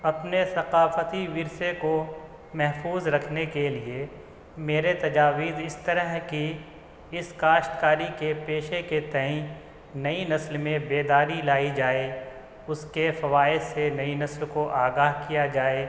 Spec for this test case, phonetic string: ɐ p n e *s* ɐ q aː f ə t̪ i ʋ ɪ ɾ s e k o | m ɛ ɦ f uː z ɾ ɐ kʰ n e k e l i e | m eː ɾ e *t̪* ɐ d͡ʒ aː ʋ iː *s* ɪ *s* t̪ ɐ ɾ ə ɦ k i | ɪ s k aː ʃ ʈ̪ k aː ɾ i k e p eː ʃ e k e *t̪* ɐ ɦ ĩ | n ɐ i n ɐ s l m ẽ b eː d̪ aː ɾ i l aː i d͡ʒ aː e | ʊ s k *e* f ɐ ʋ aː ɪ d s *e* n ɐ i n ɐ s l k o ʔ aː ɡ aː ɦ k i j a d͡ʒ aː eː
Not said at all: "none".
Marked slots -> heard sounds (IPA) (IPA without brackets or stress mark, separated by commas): s, t̪, z, s, t̪, e, e